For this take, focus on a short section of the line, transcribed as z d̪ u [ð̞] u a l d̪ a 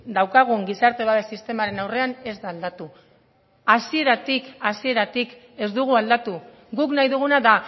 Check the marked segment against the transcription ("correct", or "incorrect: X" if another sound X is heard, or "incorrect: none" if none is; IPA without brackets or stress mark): incorrect: ɣ̞